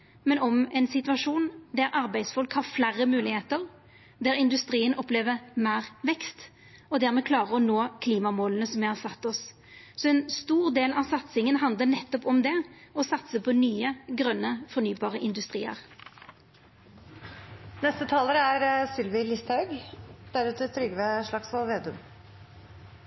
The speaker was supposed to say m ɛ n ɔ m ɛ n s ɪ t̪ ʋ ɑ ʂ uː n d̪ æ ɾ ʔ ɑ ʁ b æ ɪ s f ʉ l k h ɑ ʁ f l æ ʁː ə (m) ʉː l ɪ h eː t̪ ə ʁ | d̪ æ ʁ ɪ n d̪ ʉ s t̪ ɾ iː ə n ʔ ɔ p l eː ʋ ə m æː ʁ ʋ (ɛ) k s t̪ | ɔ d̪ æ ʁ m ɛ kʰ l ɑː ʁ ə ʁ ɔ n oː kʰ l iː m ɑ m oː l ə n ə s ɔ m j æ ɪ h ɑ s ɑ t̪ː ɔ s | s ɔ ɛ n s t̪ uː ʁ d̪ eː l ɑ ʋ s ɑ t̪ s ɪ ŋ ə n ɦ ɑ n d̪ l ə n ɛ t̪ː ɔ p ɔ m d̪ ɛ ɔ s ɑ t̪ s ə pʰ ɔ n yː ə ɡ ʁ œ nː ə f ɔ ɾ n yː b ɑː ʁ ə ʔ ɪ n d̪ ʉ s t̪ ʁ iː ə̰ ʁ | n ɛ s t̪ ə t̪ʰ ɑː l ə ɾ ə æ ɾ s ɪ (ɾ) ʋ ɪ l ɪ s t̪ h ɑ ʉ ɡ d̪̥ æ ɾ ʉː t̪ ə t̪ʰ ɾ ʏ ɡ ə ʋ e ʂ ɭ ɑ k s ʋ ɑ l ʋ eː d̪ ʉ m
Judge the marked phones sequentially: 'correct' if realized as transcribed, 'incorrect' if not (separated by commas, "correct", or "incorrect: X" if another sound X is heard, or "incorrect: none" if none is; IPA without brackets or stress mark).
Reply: correct, correct, incorrect: l